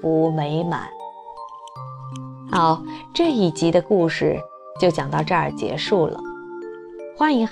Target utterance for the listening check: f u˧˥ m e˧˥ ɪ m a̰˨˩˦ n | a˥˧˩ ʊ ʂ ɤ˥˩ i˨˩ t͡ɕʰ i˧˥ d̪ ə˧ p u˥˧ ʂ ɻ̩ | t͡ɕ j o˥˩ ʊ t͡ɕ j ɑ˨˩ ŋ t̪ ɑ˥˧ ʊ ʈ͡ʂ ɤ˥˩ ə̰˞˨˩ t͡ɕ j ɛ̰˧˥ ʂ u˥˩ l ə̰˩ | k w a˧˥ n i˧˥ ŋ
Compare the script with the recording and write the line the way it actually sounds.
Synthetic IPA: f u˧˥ m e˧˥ ɪ m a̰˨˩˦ n | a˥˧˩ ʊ ʈ͡ʂ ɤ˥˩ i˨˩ t͡ɕ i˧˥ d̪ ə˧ k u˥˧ ʂ ɻ̩ | t͡ɕ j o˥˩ ʊ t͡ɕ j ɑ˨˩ ŋ t̪ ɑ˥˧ ʊ ʈ͡ʂ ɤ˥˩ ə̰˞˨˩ t͡ɕ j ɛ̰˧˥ ʂ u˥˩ l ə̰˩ | x w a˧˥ n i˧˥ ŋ